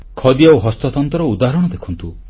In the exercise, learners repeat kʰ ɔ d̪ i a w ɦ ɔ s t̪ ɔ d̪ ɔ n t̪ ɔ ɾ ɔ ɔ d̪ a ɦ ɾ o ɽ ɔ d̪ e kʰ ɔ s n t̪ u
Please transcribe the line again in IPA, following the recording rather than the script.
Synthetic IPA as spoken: kʰ ɔ d̪ i a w ɦ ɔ s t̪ ɔ t̪ ɔ n t̪ ɔ ɾ ɔ u d̪ a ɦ ɾ ɔ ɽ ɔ d̪ e kʰ ɔ n t̪ u